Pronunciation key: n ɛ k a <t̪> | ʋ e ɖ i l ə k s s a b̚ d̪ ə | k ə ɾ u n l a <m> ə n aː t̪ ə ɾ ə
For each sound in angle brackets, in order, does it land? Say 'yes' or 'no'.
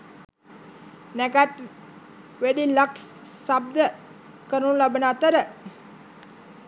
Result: yes, no

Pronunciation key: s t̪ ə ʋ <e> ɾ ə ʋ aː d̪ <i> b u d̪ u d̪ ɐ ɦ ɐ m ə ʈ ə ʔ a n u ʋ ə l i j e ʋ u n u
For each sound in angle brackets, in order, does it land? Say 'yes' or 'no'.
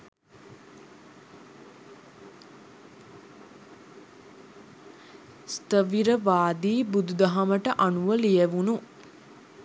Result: no, no

